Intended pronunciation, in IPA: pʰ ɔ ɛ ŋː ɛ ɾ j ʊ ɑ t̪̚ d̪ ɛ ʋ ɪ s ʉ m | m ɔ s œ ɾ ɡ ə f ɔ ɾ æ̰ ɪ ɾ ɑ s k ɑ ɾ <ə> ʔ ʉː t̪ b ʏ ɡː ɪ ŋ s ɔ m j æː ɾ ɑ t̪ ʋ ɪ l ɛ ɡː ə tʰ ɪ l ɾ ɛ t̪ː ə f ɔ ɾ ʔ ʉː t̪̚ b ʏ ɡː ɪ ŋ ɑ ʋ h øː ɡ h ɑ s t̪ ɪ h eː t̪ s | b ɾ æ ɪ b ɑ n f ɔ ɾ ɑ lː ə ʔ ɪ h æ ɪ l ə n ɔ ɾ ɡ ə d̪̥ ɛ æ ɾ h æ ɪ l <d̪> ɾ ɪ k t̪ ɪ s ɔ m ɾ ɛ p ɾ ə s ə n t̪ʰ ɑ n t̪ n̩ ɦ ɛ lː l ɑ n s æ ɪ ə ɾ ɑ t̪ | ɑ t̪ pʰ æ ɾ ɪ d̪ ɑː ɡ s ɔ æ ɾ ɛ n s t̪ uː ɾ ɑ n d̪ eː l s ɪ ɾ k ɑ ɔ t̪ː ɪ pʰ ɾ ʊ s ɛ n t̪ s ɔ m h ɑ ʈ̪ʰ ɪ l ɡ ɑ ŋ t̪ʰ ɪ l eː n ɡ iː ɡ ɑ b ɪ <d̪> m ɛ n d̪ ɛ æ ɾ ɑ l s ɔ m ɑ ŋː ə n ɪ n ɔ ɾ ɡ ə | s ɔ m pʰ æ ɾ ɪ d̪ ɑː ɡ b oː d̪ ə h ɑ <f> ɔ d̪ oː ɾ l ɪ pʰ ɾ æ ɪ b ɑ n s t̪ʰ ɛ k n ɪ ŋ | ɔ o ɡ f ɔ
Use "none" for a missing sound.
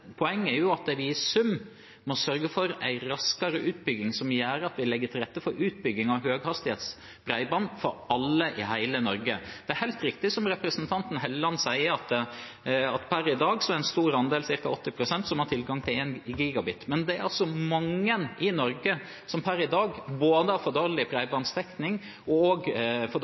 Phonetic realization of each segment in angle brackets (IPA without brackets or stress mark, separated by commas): ə, t̪, t̪, f